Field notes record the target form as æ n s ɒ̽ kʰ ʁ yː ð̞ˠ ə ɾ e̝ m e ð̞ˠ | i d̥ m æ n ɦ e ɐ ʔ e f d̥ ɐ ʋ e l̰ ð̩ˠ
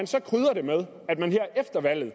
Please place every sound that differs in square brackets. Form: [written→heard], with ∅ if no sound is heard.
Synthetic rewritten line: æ n s ɒ̽ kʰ ʁ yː ð̞ˠ [ə→ɐ] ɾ e̝ m e ð̞ˠ | [i→æ] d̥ m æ n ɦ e ɐ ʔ e f d̥ ɐ ʋ [e→æ] l̰ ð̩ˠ